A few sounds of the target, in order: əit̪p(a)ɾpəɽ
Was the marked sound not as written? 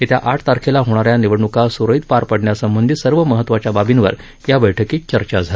no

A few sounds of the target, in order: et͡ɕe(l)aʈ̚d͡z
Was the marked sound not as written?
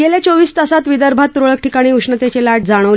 no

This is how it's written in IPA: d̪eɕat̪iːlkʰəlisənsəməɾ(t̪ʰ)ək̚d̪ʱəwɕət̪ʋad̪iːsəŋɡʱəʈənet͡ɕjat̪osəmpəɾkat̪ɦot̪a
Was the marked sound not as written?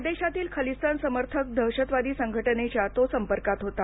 no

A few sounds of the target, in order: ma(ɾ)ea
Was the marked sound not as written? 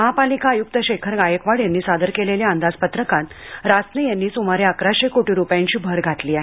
no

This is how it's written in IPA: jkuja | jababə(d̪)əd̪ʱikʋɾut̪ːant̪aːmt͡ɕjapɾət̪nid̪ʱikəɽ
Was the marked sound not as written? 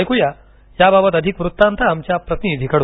yes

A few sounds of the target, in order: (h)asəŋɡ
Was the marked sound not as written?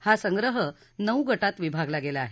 no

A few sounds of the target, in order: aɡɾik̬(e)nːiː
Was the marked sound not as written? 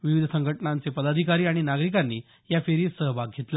yes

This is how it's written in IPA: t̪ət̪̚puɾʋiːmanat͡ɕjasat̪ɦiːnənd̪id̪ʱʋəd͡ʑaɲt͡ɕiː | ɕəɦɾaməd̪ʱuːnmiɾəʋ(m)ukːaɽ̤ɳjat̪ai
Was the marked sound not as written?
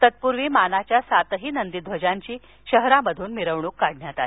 yes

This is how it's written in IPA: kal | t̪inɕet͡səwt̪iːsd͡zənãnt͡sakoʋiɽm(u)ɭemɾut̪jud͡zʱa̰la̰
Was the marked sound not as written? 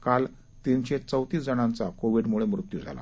no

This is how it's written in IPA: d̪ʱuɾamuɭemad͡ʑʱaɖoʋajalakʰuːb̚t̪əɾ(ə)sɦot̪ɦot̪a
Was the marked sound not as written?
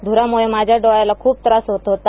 yes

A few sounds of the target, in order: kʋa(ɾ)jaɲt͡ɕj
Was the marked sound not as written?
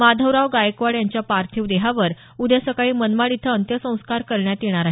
yes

